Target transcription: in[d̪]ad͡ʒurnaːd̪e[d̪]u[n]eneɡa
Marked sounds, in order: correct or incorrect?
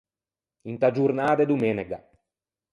incorrect, correct, incorrect

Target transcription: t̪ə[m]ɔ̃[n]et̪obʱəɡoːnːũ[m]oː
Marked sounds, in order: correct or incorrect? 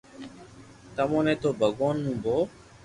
correct, correct, incorrect

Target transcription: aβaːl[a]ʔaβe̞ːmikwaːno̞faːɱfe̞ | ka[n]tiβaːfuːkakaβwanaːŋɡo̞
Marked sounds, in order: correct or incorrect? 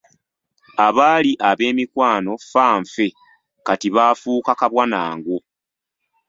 incorrect, incorrect

